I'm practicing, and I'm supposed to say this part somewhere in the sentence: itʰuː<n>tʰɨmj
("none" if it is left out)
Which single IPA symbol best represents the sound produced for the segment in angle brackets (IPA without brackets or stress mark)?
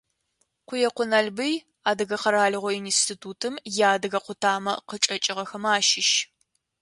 none